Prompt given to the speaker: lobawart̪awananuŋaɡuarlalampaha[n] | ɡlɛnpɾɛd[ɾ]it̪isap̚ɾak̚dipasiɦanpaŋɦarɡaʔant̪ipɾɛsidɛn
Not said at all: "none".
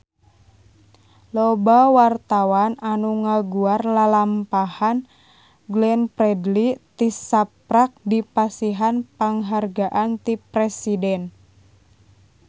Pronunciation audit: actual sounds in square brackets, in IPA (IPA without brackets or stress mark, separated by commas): n, l